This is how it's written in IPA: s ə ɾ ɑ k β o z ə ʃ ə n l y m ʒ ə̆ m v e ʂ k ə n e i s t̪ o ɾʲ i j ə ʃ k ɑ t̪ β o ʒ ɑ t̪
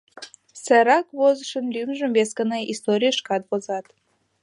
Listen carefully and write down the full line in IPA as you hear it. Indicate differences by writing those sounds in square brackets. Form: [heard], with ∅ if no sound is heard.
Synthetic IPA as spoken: s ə ɾ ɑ k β o z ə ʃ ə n l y m ʒ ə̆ m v e [s] k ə n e i s t̪ o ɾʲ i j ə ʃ k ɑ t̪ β o [z] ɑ t̪